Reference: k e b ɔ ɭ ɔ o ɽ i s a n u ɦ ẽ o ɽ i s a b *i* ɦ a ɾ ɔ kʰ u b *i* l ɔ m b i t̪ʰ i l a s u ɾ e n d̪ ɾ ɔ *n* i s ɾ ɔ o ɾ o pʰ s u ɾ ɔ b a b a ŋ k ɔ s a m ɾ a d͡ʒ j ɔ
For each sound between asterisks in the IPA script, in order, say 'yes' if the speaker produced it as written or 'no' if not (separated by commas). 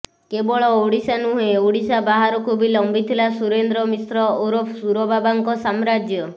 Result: no, yes, no